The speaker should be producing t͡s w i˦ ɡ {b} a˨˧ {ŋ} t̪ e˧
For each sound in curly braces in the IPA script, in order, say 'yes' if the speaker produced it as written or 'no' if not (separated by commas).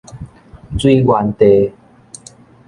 no, no